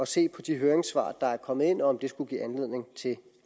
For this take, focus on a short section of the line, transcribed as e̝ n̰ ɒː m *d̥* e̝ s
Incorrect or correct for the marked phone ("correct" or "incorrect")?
correct